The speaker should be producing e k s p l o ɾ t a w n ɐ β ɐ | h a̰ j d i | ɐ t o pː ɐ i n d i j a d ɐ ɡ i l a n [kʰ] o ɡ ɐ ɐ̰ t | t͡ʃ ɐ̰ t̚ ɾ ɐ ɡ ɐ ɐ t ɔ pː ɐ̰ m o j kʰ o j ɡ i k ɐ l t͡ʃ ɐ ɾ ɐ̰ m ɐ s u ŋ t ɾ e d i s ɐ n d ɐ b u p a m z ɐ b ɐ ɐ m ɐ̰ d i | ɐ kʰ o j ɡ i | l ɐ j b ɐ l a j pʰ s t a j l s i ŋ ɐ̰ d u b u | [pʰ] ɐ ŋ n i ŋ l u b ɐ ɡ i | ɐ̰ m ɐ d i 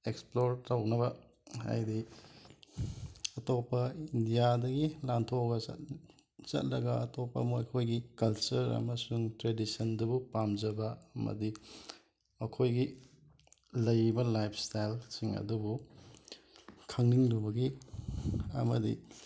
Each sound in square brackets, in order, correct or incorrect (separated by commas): incorrect, incorrect